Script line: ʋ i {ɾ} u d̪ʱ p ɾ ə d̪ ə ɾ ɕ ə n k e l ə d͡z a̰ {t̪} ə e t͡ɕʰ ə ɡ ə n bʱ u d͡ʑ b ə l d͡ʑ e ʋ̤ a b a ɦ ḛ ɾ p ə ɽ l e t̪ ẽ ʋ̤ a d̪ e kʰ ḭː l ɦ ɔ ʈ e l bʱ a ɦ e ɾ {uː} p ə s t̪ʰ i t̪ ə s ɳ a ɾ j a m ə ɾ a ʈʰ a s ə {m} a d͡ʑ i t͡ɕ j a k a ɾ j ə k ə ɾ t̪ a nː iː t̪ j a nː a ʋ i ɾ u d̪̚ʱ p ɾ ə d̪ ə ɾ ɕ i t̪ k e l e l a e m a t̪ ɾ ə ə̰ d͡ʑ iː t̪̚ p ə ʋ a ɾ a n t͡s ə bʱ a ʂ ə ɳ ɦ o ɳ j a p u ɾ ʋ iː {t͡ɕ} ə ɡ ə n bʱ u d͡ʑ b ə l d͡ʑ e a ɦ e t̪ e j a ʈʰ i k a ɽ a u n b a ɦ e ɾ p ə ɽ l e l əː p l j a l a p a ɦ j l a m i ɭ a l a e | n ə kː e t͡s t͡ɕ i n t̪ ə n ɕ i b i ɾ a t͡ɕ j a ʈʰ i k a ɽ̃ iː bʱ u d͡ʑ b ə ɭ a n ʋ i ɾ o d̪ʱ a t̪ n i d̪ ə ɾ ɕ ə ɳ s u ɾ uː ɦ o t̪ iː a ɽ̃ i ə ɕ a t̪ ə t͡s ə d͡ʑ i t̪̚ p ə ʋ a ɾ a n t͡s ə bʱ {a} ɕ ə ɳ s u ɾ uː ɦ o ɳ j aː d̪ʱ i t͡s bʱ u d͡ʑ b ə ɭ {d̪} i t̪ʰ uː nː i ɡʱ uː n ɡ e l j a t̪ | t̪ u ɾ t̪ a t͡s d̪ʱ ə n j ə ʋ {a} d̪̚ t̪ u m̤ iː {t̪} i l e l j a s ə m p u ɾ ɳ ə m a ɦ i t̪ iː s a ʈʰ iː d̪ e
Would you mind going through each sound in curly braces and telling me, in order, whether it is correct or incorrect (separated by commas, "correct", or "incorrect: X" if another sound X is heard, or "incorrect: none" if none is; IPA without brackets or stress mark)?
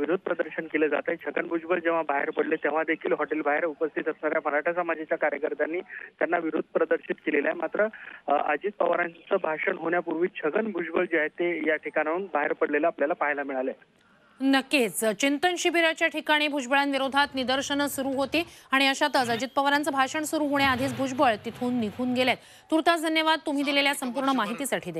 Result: correct, correct, incorrect: u, correct, incorrect: t͡ɕʰ, correct, incorrect: t̪, correct, incorrect: d̪